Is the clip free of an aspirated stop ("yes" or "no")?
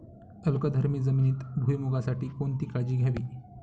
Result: yes